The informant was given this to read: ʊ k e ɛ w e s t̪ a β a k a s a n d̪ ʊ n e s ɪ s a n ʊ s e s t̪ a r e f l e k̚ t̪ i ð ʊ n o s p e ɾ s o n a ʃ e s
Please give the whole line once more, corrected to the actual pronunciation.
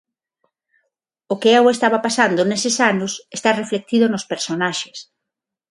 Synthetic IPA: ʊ k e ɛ w e s t̪ a β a p a s a n d̪ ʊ n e s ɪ s a n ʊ s e s t̪ a r e f l e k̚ t̪ i ð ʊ n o s p e ɾ s o n a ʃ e s